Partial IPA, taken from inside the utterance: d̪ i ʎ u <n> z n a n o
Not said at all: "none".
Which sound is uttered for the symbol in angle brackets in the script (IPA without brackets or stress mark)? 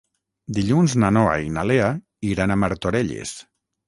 n